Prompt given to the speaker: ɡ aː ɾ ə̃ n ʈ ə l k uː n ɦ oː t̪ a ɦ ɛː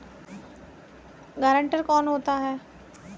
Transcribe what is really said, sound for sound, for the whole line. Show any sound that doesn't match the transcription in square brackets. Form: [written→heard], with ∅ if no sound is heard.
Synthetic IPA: ɡ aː ɾ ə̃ [n→ɳ] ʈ ə [l→ɾ] k [uː→ɔː] n ɦ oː t̪ a ɦ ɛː